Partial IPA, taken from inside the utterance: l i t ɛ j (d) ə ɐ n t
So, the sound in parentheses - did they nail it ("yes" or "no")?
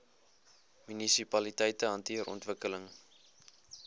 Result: no